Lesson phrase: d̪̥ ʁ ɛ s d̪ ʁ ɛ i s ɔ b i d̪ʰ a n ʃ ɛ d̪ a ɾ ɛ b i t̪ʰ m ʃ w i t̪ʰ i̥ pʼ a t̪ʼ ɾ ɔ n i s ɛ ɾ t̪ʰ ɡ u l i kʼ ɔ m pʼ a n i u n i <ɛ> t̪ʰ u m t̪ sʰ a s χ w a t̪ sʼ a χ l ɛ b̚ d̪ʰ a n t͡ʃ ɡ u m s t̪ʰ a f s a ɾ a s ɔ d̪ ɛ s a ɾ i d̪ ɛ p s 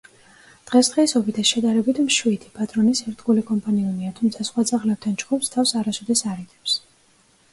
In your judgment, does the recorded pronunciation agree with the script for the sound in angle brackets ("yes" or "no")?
no